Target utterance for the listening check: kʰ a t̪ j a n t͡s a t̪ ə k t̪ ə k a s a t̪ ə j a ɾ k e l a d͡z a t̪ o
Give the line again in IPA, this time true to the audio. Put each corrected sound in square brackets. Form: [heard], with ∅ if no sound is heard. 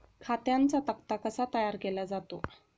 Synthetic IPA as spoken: kʰ a t̪ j a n t͡s a t̪ ə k t̪ [a] k [ə] s a t̪ ə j a ɾ k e l a d͡z a t̪ o

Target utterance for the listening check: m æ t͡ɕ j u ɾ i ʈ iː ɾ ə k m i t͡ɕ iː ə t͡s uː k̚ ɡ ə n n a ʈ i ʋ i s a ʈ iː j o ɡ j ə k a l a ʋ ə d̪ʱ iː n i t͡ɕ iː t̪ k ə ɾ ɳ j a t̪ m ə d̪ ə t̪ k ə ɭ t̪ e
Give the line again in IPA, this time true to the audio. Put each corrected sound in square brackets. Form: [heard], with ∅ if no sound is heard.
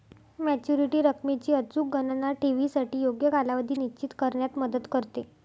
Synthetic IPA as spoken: m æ t͡ɕ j u ɾ i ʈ iː ɾ ə k m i t͡ɕ iː ə t͡s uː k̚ ɡ ə n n a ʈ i ʋ i s a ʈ iː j o ɡ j ə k a l a ʋ ə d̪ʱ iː n i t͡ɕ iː t̪ k ə ɾ ɳ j a t̪ m ə d̪ ə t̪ k ə [ɾ] t̪ e

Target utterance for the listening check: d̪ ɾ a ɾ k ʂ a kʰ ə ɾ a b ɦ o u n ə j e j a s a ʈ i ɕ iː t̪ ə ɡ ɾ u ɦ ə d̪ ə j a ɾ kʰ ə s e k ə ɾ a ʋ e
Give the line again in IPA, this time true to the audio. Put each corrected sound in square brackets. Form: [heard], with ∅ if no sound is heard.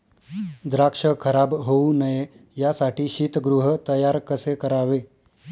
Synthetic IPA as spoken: d̪ ɾ a [∅] k ʂ [ə] kʰ ə ɾ a b ɦ o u n ə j e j a s a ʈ [iː] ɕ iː t̪ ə ɡ ɾ u ɦ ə [t̪] ə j a ɾ [k] ə s e k ə ɾ a ʋ e

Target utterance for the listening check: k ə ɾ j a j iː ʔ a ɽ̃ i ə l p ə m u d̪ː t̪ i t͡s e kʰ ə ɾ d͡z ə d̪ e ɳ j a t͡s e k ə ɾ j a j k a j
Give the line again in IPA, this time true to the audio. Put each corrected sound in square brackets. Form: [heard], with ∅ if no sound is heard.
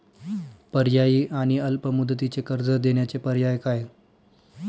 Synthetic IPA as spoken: [p] ə ɾ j a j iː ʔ a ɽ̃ i ə l p ə m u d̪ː t̪ i t͡s e [k] ə ɾ d͡z ə d̪ e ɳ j a t͡s e [p] ə ɾ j a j k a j

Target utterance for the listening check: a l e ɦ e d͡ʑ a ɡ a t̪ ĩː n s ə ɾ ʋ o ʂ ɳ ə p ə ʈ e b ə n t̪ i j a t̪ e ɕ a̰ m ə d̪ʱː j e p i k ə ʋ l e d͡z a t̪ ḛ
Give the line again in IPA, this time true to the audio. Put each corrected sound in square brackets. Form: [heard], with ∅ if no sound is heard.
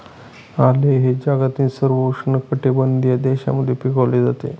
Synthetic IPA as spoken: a l e ɦ e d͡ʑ a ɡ a t̪ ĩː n s ə ɾ ʋ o ʂ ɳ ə [k] ə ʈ e b ə n [d̪] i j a [d̪] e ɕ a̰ m ə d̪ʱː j e p i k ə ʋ l e d͡z a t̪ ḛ

